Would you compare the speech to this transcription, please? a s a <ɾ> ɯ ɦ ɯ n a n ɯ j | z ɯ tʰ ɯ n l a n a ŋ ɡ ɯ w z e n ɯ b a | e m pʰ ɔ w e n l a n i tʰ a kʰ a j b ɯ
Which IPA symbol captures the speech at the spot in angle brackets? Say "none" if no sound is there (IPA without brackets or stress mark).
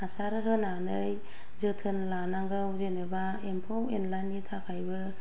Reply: ɾ